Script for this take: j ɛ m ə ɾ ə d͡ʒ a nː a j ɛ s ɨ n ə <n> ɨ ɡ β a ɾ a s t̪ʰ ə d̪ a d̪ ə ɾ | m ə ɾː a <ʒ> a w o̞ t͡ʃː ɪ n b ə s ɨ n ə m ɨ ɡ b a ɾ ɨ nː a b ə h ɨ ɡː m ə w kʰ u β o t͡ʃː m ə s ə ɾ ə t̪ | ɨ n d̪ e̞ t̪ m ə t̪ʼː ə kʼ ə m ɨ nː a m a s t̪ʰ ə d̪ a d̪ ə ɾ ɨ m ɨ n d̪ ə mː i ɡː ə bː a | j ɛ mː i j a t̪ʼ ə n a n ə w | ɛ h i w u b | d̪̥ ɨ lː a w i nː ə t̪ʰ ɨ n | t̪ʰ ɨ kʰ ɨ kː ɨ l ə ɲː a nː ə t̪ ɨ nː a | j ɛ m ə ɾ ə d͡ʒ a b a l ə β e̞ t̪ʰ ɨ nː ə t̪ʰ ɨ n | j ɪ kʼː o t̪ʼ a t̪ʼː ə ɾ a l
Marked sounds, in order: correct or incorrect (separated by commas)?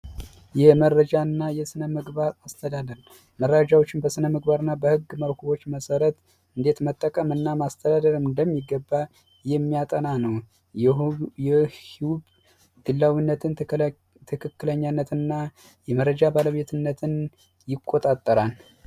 incorrect, incorrect